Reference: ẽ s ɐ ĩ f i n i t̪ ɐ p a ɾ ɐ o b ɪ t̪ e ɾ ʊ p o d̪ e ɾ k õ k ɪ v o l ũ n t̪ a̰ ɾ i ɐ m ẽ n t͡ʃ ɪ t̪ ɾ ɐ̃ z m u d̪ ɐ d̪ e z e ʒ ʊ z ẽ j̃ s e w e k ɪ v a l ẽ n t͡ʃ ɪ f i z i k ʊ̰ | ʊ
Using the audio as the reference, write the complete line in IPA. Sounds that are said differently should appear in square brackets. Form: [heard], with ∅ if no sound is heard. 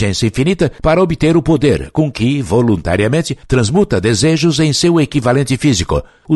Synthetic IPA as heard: ẽ s ɐ ĩ f i n i t̪ ɐ p a ɾ ɐ o b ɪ t̪ e ɾ ʊ p o d̪ e ɾ k õ k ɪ v o l ũ n t̪ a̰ ɾ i ɐ m ẽ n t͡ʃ ɪ t̪ ɾ ɐ̃ z m u [t̪] ɐ d̪ e z e ʒ ʊ z ẽ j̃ s e w e k [i] v a l ẽ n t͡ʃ ɪ f i z i k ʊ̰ | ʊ